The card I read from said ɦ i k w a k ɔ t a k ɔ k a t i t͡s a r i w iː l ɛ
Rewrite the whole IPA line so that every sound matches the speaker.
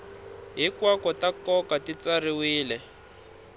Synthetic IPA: ɦ i k w a k ɔ t a k ɔ k a t i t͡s a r i w iː l ɛ